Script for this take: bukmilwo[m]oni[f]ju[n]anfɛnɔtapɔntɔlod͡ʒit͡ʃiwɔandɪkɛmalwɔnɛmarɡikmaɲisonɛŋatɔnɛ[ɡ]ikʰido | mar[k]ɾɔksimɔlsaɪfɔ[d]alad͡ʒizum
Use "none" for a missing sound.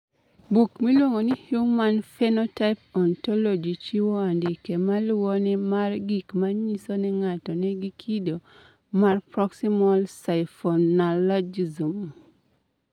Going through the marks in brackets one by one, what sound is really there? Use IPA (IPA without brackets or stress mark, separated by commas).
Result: ŋ, h, m, ɡ, p, n